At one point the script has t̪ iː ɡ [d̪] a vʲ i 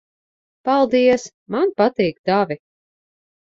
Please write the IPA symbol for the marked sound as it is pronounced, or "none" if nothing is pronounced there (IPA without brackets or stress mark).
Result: d̪